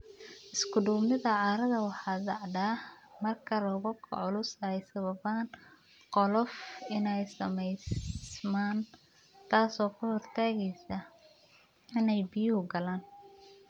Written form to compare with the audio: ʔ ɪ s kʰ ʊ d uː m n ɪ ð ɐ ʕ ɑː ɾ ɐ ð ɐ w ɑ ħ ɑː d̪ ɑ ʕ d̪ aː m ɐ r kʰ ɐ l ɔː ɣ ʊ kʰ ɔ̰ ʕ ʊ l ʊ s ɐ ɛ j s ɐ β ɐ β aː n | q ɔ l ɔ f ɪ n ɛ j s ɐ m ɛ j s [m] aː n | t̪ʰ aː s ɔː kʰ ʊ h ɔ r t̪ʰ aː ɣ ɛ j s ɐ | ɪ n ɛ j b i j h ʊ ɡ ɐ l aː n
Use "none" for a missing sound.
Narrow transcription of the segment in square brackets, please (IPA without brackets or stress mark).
m